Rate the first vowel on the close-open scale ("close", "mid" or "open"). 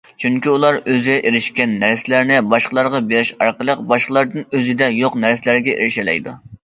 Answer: close